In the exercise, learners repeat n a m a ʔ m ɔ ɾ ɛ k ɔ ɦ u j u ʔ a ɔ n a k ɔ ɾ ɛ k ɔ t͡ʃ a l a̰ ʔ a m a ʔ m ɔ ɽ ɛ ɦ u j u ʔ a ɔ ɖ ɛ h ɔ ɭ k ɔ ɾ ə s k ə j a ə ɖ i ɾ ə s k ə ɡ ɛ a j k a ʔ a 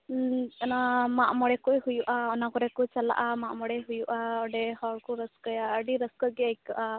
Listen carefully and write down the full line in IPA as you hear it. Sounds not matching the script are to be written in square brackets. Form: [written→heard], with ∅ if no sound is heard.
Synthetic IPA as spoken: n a m a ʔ m ɔ [ɾ→ɽ] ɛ k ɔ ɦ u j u ʔ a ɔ n a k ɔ ɾ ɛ k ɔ t͡ʃ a l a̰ ʔ a m a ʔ m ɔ ɽ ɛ ɦ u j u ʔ a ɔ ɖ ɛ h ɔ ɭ k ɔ ɾ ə s k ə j a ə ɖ i ɾ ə s k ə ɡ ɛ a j k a ʔ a